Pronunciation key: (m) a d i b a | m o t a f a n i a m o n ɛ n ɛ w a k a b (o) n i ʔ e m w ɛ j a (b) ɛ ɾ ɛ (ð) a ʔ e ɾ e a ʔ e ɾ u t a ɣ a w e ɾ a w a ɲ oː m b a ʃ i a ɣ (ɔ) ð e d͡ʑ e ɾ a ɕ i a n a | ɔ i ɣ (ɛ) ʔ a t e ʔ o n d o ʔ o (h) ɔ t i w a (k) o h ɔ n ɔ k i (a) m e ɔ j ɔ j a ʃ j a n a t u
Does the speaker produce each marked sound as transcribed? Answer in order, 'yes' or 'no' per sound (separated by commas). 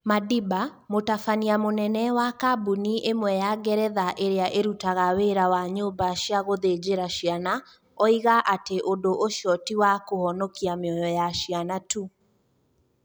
yes, no, no, yes, no, no, no, yes, yes